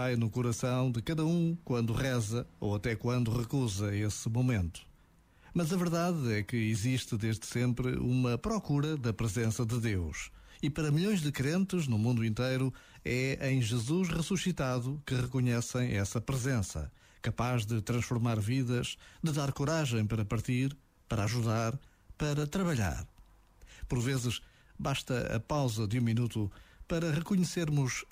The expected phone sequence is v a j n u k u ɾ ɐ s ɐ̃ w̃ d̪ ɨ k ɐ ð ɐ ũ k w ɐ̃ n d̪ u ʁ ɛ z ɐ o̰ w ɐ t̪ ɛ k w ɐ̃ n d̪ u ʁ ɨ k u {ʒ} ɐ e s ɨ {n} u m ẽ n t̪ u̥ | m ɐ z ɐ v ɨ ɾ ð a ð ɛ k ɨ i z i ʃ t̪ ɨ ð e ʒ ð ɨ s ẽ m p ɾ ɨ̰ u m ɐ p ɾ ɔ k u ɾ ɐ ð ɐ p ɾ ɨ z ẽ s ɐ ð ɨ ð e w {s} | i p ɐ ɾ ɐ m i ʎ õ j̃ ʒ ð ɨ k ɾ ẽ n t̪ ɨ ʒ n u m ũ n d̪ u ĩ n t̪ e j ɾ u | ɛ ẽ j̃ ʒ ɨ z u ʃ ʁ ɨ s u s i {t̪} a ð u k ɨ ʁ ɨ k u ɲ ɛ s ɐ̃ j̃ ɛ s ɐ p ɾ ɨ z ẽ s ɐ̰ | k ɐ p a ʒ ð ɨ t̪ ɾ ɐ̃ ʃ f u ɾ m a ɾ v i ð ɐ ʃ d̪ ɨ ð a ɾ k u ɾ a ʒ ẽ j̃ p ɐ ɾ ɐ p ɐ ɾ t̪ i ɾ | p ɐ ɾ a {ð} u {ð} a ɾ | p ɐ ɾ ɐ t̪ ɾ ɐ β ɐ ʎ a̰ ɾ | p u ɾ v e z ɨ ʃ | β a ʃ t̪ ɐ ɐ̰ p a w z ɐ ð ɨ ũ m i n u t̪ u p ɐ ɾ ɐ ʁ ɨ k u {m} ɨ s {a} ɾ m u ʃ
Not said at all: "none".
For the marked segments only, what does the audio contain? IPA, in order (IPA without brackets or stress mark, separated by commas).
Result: z, m, ʃ, t̪, ʒ, ð, ɲ, e